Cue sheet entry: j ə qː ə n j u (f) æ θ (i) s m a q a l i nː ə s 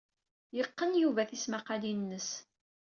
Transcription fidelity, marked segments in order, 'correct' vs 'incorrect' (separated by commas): incorrect, correct